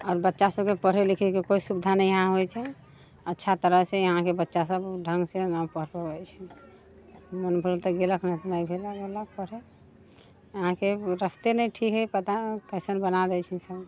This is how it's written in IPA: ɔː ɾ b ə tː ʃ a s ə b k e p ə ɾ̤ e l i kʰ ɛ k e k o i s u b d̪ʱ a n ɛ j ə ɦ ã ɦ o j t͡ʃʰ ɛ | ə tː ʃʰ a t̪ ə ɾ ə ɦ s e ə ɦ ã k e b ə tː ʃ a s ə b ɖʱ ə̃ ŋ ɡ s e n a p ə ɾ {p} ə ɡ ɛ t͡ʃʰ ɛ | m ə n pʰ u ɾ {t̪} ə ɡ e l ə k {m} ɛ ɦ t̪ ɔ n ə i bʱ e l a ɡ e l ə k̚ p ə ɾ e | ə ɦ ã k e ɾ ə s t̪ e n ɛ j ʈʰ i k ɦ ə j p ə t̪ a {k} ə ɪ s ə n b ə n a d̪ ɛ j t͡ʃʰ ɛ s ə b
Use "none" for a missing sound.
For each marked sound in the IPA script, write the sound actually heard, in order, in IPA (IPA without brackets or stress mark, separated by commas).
p, t̪, n, k